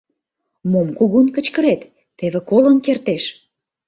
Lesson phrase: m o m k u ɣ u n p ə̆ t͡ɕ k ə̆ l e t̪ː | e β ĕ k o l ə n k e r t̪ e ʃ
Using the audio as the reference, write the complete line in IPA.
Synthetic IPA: m o m k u ɣ u n k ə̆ t͡ɕ k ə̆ ɾ e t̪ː | e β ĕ k o l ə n k e r t̪ e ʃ